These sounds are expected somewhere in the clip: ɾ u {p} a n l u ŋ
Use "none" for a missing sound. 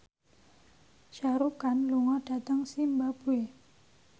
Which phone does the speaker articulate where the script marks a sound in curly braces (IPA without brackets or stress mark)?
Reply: k